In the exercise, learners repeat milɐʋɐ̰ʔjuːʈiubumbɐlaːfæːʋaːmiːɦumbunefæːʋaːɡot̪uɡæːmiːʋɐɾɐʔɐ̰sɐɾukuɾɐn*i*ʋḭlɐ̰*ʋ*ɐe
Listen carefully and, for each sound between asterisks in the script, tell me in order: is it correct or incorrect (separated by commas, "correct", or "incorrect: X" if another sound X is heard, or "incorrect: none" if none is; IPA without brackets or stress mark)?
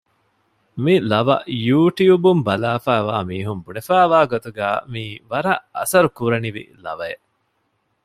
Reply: correct, correct